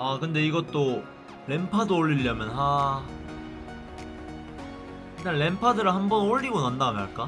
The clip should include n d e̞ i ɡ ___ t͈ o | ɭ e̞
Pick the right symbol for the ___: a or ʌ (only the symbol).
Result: ʌ